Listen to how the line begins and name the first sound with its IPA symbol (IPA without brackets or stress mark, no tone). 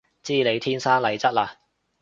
t͡s